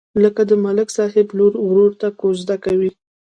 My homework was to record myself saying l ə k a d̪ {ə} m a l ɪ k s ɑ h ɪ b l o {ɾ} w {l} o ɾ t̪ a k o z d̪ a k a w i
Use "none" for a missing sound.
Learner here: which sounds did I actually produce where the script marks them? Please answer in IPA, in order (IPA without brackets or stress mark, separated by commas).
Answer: ə, ɾ, ɾ